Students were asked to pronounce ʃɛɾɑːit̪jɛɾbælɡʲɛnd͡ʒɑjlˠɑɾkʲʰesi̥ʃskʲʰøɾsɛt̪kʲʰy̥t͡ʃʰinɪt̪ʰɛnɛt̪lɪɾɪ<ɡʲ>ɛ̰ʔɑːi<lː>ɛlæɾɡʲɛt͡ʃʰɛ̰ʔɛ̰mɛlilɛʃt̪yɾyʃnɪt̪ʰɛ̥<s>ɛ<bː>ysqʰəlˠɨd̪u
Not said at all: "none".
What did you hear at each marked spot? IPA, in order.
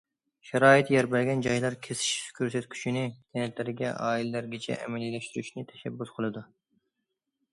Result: ɡʲ, l, ʃ, bː

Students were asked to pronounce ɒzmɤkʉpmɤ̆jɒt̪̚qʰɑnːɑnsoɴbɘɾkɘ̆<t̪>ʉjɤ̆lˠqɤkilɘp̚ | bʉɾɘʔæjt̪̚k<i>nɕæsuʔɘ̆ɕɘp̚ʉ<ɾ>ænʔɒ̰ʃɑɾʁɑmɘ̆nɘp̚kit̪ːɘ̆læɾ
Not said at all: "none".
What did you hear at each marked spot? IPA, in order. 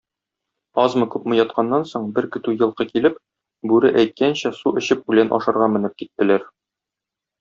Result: t̪, æ, l

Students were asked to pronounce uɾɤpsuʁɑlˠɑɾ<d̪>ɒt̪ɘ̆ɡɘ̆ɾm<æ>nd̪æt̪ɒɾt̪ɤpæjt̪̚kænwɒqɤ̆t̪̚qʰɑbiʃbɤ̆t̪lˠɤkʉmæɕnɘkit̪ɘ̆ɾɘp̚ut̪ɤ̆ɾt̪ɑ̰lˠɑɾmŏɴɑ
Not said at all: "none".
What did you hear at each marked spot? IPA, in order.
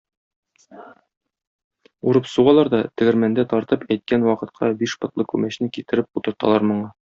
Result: d̪, æ

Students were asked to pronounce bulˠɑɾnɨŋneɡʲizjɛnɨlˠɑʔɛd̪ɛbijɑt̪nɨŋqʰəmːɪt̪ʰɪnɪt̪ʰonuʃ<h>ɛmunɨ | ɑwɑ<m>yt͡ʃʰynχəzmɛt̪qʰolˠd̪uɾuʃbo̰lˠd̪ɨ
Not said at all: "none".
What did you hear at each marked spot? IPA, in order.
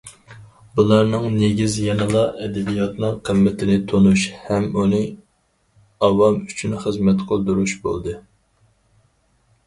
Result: h, m

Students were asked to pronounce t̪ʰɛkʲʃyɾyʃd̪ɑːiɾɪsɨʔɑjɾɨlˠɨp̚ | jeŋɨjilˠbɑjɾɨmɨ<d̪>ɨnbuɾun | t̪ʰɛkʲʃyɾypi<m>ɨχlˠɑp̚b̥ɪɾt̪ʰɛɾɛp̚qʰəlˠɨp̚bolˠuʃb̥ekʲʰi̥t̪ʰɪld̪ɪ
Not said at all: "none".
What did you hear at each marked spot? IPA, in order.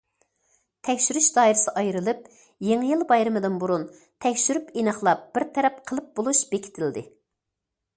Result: d̪, n

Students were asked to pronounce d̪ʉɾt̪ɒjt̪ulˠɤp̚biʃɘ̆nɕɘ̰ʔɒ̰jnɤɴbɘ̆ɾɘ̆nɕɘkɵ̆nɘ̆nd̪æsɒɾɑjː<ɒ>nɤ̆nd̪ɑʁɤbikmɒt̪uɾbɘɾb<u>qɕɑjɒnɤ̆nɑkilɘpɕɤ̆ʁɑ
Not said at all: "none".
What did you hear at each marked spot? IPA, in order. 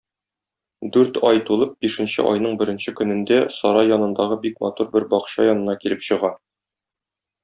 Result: ɒ, ɒ

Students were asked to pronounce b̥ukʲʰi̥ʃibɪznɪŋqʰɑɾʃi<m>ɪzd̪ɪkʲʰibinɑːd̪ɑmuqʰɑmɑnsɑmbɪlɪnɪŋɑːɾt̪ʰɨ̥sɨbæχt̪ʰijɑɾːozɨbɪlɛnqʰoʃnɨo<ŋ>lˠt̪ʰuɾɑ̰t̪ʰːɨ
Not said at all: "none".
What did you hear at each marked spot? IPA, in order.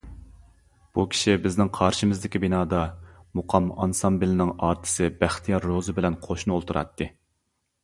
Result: m, none

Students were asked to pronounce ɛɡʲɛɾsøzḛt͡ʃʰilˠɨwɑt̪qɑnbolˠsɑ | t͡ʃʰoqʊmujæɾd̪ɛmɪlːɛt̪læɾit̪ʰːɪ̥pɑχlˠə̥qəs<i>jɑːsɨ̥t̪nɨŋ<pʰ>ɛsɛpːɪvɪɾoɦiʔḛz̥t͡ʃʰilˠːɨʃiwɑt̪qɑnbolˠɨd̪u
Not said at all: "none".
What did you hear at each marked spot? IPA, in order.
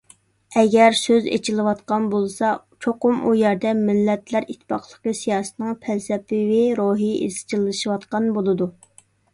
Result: i, pʰ

